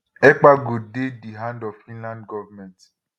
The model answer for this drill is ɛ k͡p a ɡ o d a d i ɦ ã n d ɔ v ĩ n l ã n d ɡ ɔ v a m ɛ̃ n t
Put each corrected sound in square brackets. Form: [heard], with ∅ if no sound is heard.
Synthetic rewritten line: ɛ k͡p a ɡ o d [e] d i ɦ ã n d ɔ [f] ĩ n l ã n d ɡ ɔ v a m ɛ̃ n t

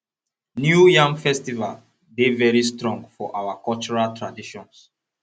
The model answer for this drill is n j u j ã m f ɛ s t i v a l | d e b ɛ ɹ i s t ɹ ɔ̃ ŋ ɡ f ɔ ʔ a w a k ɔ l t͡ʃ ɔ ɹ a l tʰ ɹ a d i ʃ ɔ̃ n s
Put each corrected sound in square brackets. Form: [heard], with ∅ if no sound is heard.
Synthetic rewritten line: n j u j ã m f ɛ s t i v a l | d e [v] ɛ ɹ i s t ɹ ɔ̃ ŋ ɡ f ɔ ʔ a w a k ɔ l t͡ʃ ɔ ɹ a l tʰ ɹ a d i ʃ ɔ̃ n s

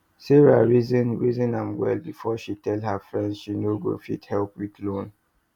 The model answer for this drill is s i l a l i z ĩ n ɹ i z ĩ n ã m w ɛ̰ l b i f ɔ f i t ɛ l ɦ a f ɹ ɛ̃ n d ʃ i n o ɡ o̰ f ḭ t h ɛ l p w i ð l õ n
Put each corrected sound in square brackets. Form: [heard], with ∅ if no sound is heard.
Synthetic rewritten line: s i [ɹ] a [ɹ] i z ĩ n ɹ i z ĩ n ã m w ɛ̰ l b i f ɔ [ʃ] i t ɛ l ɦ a f ɹ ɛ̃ n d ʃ i n o ɡ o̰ f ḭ t h ɛ l p w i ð l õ n

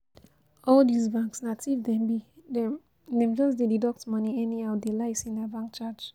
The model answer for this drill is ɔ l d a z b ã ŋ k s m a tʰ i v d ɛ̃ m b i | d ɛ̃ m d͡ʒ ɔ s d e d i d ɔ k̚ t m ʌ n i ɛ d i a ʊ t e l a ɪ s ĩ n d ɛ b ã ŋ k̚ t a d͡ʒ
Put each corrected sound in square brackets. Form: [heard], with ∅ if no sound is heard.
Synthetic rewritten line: ɔ l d [i] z b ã ŋ k s [n] a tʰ i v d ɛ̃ m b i | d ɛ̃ m d͡ʒ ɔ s d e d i d ɔ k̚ t m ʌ n i ɛ [n] i a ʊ [d] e l a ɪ s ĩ n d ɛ b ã ŋ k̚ [t͡ʃ] a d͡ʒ

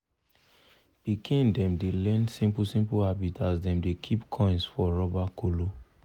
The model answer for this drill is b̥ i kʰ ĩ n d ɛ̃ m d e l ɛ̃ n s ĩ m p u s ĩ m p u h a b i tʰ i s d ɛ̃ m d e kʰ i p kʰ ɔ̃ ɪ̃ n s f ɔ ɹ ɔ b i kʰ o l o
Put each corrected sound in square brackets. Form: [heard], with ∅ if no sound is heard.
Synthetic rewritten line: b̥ i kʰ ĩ n d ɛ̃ m d e l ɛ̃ n s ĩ m p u s ĩ m p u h a b i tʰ [a] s d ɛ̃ m d e kʰ i p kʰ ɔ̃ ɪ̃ n s f ɔ ɹ ɔ b [a] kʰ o l o

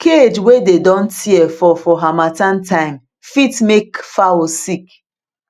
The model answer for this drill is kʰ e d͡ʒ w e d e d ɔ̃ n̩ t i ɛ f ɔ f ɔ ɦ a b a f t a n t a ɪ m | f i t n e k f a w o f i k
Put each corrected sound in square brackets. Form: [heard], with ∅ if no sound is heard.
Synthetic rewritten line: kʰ e d͡ʒ w e d e d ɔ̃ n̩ t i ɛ f ɔ f ɔ ɦ a [m] a [∅] t a n t a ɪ m | f i t [m] e k f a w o [s] i k

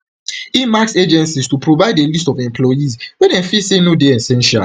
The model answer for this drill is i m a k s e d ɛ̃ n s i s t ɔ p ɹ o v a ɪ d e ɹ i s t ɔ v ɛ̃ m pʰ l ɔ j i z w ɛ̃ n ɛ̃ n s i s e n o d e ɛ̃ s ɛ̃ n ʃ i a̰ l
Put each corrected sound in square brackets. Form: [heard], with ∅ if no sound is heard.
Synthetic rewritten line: i m a k s e [d͡ʒ] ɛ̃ n s i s t [u] p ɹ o v a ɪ d e [l] i s t ɔ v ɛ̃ m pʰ l ɔ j i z w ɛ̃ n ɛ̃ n [f] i s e n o d e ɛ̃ s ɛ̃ n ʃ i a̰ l

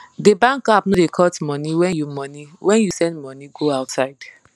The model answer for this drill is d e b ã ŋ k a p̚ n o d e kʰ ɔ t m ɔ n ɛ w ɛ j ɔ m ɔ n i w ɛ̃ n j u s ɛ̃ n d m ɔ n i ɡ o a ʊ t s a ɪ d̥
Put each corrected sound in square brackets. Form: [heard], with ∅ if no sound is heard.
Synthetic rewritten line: d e b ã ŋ k a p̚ n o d e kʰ ɔ t m ɔ n [i] w ɛ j [u] m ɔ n i w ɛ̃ n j u s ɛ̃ n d m ɔ n i ɡ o a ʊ t s a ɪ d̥

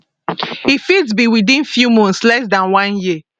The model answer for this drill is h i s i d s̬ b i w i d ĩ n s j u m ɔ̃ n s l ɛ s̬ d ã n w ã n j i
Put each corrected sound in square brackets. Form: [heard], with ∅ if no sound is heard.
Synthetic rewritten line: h i [f] i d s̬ b i w i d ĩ n [f] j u m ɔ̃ n s l ɛ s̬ d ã n w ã n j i

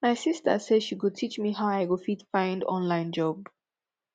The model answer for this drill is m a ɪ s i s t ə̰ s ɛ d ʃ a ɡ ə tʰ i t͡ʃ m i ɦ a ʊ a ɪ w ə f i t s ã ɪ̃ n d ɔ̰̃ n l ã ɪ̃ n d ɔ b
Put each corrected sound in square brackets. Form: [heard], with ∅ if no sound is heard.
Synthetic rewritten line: m a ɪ s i s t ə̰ s ɛ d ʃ [i] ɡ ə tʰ i t͡ʃ m i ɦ a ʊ a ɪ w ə f i t [f] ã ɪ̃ n d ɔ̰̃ n l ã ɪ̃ n [d͡ʒ] ɔ b

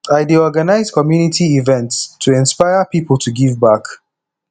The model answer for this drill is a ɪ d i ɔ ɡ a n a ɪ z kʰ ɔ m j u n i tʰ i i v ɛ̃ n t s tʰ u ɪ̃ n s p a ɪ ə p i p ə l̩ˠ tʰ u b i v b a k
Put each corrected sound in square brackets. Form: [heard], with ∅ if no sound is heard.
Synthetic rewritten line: a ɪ d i ɔ ɡ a n a ɪ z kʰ ɔ m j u n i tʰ i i v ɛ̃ n t s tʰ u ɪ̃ n s p a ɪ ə p i p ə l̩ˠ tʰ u [ɡ] i v b a k

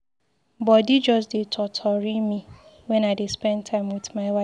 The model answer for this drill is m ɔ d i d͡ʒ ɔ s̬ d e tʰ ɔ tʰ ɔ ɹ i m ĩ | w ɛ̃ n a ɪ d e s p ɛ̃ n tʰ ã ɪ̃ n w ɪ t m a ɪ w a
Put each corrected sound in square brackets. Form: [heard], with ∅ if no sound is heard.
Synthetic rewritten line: [b] ɔ d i d͡ʒ ɔ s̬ d e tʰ ɔ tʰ ɔ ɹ i m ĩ | w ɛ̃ n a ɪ d e s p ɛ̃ n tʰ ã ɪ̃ [m] w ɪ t m a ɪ w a

